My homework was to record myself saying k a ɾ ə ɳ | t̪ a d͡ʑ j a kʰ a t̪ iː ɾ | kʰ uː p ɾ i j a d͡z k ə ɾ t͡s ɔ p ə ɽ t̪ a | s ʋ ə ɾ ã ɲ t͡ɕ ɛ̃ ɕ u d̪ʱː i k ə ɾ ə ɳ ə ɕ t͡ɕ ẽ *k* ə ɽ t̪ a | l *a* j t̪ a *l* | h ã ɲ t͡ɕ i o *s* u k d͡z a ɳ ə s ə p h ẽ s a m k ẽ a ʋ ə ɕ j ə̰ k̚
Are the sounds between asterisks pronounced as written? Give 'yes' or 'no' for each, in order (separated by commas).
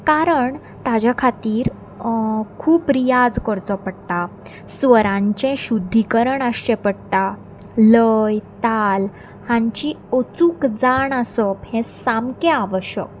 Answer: no, no, yes, no